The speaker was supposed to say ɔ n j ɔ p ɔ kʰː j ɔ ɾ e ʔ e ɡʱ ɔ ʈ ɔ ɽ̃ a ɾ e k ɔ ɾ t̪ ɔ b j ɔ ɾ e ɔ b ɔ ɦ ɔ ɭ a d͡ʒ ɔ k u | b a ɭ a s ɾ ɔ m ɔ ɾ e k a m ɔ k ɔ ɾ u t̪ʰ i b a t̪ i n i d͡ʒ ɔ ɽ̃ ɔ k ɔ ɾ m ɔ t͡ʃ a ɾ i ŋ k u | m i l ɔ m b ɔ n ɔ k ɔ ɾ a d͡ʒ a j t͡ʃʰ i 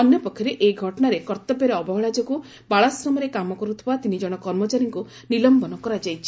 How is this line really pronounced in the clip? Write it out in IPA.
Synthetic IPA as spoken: ɔ n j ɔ p ɔ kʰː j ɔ ɾ e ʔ e ɡʱ ɔ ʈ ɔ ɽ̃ a ɾ e k ɔ ɾ t̪ ɔ b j ɔ ɾ e ɔ b ɔ ɦ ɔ ɭ a d͡ʒ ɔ k u | b a ɭ a s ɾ ɔ m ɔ ɾ e k a m ɔ k ɔ ɾ u t̪ʰ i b a t̪ i n i d͡ʒ ɔ ɽ̃ ɔ k ɔ ɾ m ɔ t͡ʃ a ɾ i ŋ k u | n i l ɔ m b ɔ n ɔ k ɔ ɾ a d͡ʒ a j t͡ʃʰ i